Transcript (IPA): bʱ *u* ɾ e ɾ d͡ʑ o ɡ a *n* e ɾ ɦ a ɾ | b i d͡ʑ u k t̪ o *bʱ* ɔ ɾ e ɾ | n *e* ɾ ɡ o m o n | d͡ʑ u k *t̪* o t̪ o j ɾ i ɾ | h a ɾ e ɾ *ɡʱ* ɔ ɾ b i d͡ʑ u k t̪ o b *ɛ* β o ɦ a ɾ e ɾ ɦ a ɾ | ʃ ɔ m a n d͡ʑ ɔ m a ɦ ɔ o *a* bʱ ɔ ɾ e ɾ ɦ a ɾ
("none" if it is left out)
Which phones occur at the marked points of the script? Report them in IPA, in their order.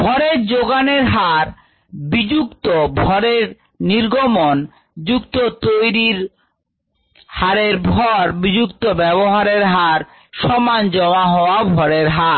ɔ, n, bʱ, i, t̪, bʱ, ɛ, a

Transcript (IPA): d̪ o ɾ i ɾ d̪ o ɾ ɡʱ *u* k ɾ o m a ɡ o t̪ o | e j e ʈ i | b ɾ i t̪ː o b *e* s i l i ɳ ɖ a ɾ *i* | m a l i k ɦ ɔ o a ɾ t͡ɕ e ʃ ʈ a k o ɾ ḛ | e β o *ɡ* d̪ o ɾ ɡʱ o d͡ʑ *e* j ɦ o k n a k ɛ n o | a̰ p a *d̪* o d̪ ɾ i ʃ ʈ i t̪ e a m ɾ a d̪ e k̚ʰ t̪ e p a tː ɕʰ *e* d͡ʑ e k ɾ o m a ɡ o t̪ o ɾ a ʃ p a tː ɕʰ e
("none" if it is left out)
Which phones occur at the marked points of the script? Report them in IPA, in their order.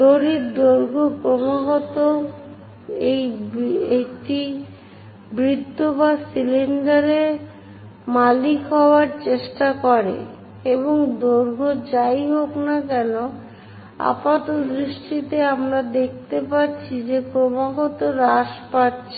o, a, e, ŋ, a, t̪, i

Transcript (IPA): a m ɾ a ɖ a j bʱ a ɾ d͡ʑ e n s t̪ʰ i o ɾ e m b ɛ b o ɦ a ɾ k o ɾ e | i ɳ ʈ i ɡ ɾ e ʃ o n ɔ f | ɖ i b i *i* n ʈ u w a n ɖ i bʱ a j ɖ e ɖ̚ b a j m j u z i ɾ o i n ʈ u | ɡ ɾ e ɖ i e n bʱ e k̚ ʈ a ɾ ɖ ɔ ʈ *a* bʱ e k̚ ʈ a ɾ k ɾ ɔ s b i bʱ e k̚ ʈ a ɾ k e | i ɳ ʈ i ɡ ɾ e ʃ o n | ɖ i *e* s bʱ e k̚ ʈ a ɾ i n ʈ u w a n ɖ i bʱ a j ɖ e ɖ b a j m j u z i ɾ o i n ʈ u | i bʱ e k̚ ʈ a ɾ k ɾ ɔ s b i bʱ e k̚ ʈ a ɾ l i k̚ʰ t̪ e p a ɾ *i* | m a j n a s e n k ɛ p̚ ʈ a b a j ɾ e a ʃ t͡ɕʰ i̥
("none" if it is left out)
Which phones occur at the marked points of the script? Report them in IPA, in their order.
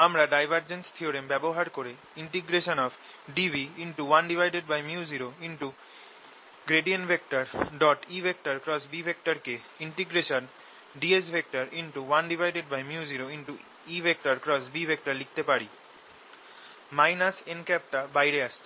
i, i, e, i

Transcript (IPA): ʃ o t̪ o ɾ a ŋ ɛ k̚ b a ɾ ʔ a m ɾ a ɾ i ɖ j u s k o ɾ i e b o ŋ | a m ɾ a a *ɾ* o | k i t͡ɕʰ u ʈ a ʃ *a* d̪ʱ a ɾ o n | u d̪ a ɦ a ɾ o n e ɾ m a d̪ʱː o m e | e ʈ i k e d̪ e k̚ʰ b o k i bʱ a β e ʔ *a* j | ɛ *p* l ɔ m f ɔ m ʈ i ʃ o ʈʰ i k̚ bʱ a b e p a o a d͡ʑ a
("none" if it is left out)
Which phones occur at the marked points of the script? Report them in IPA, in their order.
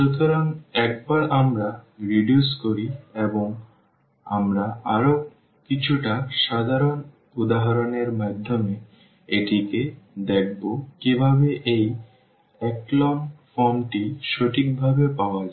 ɾ, a, e, k

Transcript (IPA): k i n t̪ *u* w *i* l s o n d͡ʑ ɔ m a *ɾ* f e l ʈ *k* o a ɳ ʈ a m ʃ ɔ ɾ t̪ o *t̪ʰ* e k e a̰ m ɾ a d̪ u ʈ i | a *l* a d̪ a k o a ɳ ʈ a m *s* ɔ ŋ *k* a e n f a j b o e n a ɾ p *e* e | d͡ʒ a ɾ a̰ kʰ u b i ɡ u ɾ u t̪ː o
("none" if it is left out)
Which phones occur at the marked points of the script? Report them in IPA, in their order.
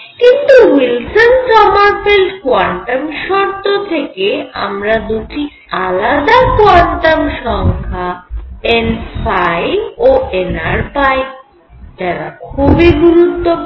u, i, ɾ, k, t̪ʰ, l, ʃ, kʰ, a

